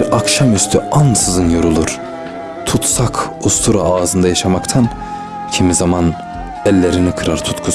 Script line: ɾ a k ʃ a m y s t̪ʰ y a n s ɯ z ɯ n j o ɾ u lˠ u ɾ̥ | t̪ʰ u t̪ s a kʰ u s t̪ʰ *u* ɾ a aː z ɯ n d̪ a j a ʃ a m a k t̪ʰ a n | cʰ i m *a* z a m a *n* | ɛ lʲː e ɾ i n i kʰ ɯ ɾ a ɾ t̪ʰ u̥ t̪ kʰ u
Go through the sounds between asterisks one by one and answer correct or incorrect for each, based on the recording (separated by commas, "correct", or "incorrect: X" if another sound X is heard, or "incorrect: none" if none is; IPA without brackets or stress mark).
correct, incorrect: i, correct